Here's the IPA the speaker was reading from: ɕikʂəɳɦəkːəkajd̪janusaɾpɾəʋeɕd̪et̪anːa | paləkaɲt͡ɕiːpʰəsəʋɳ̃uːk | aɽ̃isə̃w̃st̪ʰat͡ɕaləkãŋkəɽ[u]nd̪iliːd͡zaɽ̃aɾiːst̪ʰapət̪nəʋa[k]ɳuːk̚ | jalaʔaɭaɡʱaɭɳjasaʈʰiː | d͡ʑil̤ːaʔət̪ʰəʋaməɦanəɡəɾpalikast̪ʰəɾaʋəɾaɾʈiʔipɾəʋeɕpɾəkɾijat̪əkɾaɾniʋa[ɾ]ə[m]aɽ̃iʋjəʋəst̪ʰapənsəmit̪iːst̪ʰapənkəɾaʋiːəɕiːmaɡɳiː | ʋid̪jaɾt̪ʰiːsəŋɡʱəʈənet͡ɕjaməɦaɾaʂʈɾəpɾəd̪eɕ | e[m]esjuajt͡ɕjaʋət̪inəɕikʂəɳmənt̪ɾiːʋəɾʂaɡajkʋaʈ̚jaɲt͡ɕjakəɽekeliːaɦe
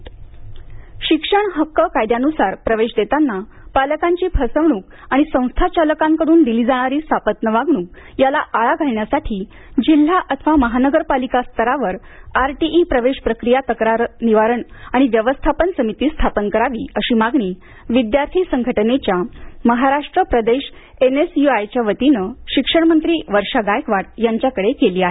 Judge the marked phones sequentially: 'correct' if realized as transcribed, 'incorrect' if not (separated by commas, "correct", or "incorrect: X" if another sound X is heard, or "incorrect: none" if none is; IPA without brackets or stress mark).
incorrect: uː, incorrect: ɡ, correct, incorrect: ɳ, incorrect: n